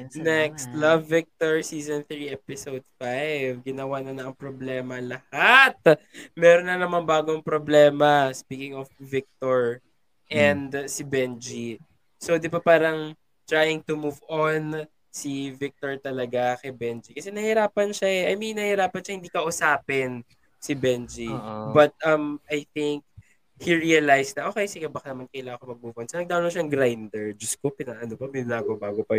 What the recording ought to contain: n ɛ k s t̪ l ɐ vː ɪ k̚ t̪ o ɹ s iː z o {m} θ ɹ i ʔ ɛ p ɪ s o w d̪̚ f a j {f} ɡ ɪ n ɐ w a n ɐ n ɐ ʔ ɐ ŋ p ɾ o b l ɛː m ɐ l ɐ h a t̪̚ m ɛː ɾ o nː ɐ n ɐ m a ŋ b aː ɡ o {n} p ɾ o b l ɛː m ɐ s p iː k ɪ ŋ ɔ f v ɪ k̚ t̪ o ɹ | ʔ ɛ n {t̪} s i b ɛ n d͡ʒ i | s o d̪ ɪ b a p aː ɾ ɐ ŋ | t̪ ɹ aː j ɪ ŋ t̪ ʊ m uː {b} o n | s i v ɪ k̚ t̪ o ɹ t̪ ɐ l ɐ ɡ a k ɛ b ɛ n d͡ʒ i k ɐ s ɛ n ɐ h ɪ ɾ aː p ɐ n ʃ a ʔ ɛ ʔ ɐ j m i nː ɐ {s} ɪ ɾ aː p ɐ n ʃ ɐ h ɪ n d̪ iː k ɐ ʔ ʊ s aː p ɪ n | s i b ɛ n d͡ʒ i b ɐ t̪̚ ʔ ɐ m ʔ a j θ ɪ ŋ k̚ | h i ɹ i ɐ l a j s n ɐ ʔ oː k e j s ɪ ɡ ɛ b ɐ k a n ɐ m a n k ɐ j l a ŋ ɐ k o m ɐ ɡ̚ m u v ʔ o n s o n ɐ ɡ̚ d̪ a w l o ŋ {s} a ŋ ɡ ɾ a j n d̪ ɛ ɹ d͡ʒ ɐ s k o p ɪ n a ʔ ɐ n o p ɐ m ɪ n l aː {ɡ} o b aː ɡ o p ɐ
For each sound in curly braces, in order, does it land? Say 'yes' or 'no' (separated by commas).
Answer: no, no, no, no, no, no, no, yes